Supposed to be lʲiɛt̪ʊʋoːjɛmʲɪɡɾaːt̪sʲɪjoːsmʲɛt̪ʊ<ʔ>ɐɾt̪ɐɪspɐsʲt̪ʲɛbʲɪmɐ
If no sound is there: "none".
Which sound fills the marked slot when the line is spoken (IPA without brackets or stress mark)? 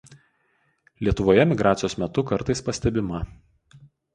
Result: k